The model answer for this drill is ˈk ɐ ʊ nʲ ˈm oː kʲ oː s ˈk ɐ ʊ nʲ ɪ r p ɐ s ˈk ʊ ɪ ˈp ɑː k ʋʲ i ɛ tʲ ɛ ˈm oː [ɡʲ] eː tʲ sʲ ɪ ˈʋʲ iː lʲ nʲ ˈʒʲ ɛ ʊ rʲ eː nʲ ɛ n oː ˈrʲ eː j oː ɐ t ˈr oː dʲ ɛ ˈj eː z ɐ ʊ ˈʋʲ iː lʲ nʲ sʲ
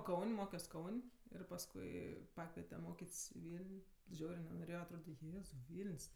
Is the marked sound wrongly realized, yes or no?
yes